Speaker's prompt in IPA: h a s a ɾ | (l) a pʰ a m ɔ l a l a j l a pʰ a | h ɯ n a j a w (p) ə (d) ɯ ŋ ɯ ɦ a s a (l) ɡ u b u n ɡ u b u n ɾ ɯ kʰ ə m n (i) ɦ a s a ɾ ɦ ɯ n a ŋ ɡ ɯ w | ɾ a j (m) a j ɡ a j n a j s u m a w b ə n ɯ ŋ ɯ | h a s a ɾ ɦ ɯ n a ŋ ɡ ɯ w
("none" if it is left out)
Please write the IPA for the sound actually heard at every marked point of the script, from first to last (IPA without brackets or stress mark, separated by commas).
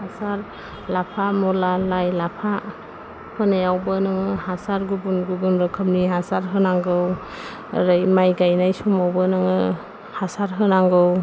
l, b, n, ɾ, i, m